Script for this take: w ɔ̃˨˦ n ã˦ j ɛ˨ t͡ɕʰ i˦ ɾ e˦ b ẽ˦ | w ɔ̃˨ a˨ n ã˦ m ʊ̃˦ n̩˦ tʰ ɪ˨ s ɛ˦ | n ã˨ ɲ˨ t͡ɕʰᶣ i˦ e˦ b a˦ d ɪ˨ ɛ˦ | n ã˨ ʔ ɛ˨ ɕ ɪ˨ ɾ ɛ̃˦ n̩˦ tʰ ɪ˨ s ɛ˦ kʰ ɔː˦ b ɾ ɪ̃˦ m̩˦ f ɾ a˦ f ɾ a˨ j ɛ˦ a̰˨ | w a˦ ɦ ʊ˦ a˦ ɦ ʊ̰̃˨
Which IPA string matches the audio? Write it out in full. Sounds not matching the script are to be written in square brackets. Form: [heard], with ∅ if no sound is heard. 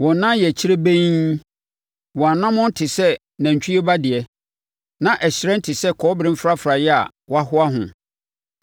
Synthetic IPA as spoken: w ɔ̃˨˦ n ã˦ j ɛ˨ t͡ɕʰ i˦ ɾ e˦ b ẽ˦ | w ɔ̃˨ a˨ n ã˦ m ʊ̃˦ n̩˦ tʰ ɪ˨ s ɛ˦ | n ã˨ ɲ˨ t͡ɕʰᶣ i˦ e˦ b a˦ d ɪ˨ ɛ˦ | n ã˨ ʔ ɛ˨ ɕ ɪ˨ ɾ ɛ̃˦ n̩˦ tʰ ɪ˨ s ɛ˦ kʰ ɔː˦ b ɾ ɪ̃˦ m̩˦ f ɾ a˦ f ɾ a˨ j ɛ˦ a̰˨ | w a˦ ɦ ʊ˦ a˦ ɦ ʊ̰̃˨

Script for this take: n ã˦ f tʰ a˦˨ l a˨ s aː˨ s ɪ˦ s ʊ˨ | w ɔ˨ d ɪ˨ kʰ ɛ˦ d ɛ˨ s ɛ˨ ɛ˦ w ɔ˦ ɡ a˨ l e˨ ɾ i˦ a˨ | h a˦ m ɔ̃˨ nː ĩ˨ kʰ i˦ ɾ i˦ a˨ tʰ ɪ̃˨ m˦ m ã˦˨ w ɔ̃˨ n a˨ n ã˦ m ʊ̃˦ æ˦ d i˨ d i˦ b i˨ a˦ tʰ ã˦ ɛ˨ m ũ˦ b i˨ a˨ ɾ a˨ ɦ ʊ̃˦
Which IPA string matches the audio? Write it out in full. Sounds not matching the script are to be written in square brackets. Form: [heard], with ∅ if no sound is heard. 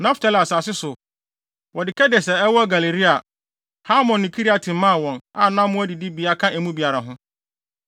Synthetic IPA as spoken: n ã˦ f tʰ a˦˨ l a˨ s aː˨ s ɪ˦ s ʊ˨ | w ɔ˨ d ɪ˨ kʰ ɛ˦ d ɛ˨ s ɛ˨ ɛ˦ w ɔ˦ ɡ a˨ l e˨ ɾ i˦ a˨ | h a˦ m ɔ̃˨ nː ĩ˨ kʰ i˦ ɾ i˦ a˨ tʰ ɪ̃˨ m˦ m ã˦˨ w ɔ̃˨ n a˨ n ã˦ m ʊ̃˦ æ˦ d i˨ d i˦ b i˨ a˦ [kʰ] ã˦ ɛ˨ m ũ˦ b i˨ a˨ ɾ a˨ ɦ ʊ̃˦

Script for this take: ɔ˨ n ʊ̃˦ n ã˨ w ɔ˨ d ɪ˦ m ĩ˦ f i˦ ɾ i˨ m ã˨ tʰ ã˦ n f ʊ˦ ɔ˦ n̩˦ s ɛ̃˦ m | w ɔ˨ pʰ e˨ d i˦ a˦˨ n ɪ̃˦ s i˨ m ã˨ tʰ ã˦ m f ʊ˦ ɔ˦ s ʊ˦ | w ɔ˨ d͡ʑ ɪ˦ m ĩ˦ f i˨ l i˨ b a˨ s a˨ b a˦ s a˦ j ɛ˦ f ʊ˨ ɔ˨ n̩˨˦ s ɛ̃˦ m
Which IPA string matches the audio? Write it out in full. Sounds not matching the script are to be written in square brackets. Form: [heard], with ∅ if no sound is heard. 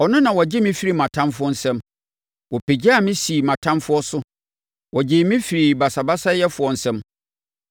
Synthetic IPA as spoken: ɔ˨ n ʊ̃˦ n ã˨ w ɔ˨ [d͡ʑ] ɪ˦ m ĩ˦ f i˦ ɾ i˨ m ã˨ tʰ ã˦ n f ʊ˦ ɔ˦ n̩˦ s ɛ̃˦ m | w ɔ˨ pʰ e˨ [d͡ʑ] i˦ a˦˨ [m] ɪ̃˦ s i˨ m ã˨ tʰ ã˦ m f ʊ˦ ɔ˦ s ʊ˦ | w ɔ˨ d͡ʑ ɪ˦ m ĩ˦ f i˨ [ɾ] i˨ b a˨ s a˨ b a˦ s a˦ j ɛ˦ f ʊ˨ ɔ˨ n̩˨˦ s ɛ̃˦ m

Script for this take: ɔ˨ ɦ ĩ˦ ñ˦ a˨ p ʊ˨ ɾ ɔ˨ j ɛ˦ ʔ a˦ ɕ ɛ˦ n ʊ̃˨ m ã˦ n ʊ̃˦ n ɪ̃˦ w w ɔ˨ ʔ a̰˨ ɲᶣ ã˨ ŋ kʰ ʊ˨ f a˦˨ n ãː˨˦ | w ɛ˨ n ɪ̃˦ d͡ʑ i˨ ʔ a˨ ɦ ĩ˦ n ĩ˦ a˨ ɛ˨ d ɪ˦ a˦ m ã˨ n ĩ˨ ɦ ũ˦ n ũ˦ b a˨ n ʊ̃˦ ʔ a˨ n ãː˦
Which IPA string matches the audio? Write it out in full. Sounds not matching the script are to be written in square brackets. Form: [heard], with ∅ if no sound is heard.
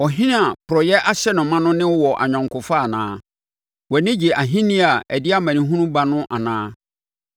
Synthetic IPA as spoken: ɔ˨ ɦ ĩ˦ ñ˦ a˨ p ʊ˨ ɾ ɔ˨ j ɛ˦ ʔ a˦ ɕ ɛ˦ n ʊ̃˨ m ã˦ n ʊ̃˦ n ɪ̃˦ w w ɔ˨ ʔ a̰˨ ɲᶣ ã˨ ŋ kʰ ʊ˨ f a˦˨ n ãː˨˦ | w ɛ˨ n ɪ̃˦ d͡ʑ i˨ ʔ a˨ ɦ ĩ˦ n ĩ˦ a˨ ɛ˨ d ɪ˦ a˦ m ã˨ n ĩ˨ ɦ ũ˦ n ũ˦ b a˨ n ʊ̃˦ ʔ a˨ n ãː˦

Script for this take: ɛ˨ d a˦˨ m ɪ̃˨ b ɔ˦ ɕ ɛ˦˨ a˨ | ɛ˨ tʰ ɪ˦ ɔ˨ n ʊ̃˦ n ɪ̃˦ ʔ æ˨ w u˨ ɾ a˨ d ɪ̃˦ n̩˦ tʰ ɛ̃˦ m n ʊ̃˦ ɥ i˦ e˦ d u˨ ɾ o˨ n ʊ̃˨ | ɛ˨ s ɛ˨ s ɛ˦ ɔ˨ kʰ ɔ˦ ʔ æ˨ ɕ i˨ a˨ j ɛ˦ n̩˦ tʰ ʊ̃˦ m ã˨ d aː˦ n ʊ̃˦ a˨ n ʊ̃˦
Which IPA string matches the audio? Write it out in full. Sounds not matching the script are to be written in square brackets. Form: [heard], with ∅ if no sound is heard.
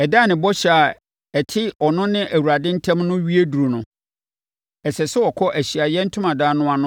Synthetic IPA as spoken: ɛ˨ d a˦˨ [n] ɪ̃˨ b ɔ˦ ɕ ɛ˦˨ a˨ | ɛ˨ tʰ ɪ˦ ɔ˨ n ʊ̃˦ n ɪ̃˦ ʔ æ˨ w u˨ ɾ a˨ d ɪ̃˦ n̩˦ tʰ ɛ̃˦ m n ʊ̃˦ ɥ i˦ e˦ d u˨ ɾ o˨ n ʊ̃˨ | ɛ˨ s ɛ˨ s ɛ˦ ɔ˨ kʰ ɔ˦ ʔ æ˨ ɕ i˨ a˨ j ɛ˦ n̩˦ tʰ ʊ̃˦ m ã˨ d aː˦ n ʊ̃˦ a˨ n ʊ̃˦

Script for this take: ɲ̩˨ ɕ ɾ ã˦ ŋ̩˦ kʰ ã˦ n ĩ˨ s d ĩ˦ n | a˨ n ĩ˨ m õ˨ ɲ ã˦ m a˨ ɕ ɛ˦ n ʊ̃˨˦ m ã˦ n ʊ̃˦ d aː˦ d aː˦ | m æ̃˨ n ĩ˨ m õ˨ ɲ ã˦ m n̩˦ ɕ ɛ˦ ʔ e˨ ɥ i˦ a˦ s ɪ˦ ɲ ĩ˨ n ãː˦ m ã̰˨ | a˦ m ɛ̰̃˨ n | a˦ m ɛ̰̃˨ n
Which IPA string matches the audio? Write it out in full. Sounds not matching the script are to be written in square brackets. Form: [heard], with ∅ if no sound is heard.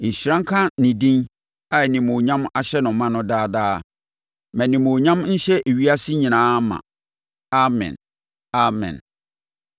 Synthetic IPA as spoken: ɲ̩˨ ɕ ɾ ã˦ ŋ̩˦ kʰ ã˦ n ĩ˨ [∅] d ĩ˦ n | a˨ n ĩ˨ m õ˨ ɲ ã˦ m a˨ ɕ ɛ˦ n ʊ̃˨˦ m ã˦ n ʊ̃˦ d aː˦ d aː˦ | m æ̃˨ n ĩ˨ m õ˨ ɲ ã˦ m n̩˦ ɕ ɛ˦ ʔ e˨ ɥ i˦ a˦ s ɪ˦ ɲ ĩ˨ n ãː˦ m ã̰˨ | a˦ m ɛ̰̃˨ n | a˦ m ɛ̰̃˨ n

